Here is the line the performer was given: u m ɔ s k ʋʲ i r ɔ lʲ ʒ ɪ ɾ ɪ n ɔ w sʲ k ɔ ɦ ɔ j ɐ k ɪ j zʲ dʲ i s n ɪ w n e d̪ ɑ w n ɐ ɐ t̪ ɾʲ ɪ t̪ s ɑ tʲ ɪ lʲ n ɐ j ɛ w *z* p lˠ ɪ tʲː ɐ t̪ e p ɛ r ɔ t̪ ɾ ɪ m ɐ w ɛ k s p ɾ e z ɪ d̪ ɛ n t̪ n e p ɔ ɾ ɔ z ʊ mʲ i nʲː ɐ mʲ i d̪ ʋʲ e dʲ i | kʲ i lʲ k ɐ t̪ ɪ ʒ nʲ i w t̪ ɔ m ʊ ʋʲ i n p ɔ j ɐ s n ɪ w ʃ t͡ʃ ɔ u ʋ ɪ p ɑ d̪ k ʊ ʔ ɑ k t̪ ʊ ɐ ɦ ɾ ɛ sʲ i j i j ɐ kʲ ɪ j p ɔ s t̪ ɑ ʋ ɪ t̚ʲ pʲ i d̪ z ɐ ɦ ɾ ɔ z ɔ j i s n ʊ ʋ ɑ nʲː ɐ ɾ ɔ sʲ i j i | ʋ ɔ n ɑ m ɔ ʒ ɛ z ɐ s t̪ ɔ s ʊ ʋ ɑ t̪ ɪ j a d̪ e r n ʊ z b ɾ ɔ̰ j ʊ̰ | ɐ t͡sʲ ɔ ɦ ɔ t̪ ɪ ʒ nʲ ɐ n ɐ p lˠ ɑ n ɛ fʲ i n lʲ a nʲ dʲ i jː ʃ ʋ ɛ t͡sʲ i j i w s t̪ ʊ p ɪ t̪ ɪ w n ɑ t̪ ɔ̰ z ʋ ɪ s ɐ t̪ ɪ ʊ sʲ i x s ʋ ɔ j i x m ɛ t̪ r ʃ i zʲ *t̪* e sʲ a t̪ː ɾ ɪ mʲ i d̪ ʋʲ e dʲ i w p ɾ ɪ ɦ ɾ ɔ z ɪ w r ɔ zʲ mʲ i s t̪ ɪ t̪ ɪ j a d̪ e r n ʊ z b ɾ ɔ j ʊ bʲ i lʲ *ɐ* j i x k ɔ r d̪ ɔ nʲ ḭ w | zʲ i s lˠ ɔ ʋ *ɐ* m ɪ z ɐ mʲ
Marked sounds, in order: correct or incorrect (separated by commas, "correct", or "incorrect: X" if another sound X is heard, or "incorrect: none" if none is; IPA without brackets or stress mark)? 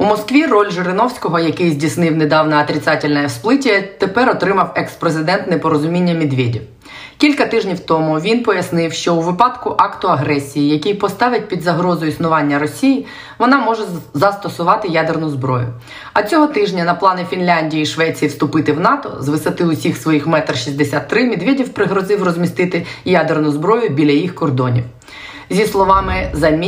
incorrect: s, incorrect: d̪, correct, incorrect: ɑ